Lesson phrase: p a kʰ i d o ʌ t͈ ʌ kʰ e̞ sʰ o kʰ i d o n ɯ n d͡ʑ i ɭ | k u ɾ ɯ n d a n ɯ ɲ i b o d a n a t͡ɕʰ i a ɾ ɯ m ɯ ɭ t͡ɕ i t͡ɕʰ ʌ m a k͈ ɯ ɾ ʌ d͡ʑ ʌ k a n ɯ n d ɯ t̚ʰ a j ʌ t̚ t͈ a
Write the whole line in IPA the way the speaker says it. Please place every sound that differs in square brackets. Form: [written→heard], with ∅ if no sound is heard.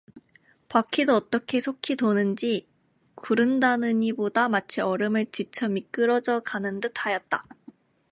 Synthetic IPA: p a kʰ i d o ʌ t͈ ʌ kʰ e̞ sʰ o kʰ i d o n ɯ n d͡ʑ i [ɭ→∅] | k u ɾ ɯ n d a n ɯ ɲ i b o d a [n→m] a t͡ɕʰ i [a→ʌ] ɾ ɯ m ɯ ɭ t͡ɕ i t͡ɕʰ ʌ m [a→i] k͈ ɯ ɾ ʌ d͡ʑ ʌ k a n ɯ n d ɯ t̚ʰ a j ʌ t̚ t͈ a

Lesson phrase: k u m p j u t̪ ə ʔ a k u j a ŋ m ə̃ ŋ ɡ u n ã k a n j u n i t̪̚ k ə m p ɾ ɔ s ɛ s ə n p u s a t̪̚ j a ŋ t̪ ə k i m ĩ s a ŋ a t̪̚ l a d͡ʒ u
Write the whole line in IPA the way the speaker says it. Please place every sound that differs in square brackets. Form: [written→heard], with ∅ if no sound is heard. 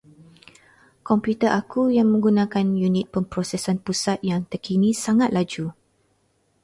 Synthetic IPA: k [u→ɔ] m p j u t̪ ə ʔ a k u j a ŋ m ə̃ ŋ ɡ u n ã k a n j u n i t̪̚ [k→p] ə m p ɾ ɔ s ɛ s [ə→a] n p u s a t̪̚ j a ŋ t̪ ə k i [m→n] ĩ s a ŋ a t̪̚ l a d͡ʒ u

